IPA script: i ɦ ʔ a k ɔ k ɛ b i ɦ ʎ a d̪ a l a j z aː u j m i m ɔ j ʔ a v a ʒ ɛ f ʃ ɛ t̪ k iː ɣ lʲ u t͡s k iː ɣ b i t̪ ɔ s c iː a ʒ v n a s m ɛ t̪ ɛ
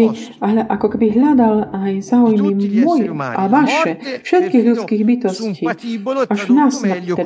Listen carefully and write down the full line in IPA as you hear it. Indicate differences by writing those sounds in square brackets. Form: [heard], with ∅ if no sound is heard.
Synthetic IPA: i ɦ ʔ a k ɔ k ɛ b i ɦ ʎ a d̪ a l a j z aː u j m i m ɔ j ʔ a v a [ʃ] ɛ f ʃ ɛ t̪ k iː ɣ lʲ u t͡s k iː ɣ b i t̪ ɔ s c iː a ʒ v n a s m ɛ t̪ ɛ